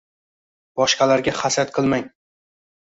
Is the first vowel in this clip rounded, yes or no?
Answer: yes